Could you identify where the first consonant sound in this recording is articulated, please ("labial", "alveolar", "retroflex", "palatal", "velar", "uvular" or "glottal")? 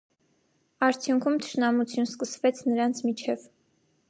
alveolar